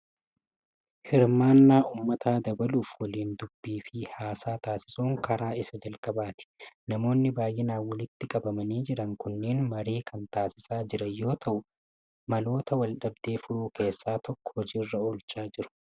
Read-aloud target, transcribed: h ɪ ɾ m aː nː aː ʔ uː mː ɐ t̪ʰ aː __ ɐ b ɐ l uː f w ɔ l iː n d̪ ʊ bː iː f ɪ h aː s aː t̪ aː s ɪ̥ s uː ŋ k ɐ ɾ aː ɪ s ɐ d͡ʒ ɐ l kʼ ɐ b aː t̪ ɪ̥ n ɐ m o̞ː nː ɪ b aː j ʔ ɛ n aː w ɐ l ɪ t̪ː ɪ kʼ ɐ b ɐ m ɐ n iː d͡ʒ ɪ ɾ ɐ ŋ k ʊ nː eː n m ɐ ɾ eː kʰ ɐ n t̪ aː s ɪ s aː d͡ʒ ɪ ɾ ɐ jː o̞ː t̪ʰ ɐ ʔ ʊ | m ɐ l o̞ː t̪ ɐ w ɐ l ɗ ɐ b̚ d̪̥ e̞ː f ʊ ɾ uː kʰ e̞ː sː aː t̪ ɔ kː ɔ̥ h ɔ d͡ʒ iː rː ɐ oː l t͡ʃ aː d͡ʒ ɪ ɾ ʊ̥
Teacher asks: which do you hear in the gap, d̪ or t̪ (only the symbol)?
d̪